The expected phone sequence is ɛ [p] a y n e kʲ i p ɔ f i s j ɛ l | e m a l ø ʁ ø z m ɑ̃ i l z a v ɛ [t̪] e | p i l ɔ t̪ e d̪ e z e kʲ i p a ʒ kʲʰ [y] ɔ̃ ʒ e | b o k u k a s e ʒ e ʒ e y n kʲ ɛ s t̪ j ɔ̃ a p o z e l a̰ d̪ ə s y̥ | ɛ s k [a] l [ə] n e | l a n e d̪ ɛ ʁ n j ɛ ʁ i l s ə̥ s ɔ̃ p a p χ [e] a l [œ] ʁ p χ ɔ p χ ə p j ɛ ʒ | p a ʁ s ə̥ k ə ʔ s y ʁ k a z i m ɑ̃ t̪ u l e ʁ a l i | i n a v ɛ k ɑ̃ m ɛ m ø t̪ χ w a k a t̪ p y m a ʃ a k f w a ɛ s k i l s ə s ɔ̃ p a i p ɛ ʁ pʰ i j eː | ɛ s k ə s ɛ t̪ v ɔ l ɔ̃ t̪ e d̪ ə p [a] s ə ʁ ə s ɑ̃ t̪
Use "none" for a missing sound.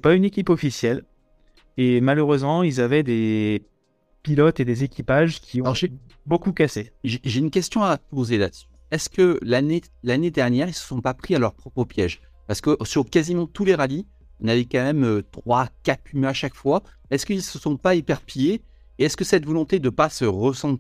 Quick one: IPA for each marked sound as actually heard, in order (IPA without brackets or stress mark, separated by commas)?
p, d̪, i, ə, a, i, œ, a